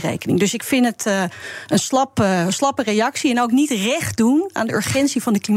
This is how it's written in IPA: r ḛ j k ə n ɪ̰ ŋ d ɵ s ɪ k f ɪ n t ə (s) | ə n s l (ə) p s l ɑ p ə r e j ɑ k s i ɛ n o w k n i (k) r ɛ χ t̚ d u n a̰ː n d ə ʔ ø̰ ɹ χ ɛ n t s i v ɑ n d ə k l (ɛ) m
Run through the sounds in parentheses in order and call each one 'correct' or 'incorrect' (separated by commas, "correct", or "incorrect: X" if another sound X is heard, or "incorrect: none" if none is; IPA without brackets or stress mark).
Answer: incorrect: t, incorrect: ɑ, incorrect: t, incorrect: i